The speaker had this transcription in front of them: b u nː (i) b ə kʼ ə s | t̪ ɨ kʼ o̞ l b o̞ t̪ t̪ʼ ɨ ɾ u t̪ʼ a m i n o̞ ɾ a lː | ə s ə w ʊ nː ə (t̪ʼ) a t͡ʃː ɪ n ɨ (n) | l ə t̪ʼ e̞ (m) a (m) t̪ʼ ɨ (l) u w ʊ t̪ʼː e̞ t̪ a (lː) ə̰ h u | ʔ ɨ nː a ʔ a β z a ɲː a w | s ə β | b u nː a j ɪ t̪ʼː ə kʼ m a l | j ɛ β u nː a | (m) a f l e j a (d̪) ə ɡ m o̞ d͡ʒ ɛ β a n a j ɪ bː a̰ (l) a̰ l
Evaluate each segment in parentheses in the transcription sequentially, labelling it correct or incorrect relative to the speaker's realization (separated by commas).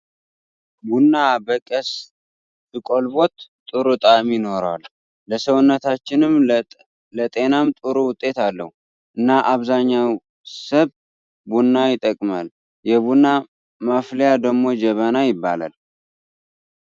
incorrect, incorrect, incorrect, incorrect, correct, incorrect, correct, correct, correct, correct